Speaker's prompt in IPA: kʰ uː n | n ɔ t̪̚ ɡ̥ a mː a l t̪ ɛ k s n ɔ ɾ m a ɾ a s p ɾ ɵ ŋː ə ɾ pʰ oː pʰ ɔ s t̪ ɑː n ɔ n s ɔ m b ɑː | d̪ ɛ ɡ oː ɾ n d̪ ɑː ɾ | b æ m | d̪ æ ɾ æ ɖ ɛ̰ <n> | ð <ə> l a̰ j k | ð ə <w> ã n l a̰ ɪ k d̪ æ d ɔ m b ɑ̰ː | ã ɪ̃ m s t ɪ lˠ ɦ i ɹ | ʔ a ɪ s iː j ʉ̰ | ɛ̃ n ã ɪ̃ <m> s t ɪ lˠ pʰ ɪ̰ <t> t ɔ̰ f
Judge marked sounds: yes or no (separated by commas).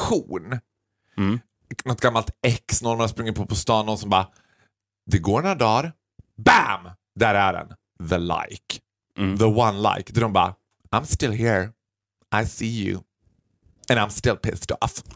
yes, yes, yes, yes, no